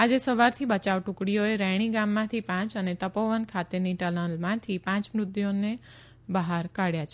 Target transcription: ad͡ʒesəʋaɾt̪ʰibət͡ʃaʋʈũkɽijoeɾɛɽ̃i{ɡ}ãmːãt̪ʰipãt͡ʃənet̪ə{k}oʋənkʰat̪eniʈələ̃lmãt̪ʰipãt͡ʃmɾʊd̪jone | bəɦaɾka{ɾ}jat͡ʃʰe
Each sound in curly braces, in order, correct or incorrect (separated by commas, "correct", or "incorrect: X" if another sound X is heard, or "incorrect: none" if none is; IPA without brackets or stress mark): correct, incorrect: p, incorrect: ɽ